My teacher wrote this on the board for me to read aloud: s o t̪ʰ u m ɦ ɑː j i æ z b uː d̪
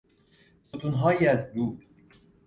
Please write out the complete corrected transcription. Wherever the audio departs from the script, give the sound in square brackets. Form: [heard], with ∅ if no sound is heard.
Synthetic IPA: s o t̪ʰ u [n] ɦ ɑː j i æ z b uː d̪